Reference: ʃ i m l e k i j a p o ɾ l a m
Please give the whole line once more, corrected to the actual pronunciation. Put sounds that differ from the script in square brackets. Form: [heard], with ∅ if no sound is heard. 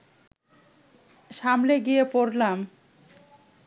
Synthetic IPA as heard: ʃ [a] m l e [ɡ] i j [e] p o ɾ l a m